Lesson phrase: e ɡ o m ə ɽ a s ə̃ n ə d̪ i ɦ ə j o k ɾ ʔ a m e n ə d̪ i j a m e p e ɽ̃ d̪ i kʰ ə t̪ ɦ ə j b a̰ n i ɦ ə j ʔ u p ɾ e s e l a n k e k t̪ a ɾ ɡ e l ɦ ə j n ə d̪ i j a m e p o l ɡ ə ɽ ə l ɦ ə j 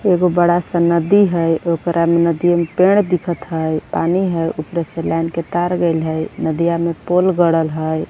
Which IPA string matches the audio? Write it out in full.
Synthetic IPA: e ɡ o b ə ɽ a s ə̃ n ə d̪ i ɦ ə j o k ɾ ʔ a m e n ə d̪ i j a m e p e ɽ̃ d̪ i kʰ ə t̪ ɦ ə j p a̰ n i ɦ ə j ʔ u p ɾ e s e l a n k e t̪ a ɾ ɡ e l ɦ ə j n ə d̪ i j a m e p o l ɡ ə ɽ ə l ɦ ə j